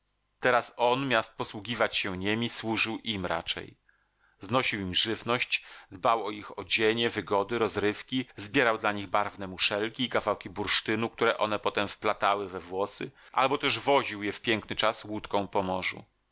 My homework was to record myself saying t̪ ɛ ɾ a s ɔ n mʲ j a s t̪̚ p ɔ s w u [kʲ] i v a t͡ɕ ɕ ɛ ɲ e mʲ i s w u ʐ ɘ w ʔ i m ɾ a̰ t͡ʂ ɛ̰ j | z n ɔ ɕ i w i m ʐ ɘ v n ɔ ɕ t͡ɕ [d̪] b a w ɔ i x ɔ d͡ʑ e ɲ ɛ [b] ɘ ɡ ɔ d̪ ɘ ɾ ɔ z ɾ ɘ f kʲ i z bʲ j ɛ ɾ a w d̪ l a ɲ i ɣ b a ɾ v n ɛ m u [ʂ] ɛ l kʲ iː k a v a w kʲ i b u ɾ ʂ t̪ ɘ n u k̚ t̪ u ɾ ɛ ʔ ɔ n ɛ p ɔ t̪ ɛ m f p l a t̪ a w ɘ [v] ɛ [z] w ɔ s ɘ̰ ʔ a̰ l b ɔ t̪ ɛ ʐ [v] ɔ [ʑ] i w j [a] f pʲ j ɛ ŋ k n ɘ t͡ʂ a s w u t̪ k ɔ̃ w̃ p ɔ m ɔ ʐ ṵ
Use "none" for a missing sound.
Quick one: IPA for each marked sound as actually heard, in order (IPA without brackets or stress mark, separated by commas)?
ɡʲ, d̪, v, ʂ, v, v, v, ʑ, ɛ